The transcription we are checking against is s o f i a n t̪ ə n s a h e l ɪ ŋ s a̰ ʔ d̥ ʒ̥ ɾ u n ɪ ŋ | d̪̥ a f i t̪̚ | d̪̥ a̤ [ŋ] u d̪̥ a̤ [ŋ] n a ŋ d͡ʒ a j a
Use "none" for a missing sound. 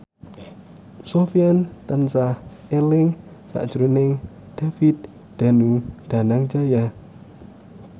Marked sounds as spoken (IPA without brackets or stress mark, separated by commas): n, none